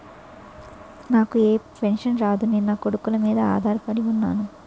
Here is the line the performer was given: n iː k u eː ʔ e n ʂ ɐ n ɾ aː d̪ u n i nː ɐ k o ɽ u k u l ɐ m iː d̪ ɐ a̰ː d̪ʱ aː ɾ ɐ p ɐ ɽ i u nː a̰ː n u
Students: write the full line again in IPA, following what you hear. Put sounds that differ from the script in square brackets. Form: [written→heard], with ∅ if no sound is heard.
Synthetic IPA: n [iː→aː] k u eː [ʔ→p] e n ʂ ɐ n ɾ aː d̪ u n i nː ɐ k o ɽ u k u l ɐ m iː d̪ ɐ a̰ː d̪ʱ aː ɾ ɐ p ɐ ɽ i u nː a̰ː n u